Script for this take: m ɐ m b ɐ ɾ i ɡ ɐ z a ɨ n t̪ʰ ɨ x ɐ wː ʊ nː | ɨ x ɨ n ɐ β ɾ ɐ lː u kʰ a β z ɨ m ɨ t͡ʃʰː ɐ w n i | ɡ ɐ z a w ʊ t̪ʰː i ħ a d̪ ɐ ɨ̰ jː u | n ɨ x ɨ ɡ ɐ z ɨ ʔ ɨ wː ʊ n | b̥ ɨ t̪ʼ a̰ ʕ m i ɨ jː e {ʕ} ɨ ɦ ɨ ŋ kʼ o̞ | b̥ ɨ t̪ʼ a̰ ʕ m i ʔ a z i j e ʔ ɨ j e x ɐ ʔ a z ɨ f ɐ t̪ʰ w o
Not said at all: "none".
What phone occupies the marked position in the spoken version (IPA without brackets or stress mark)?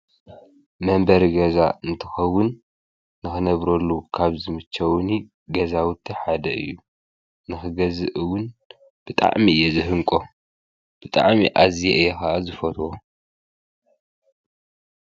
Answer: z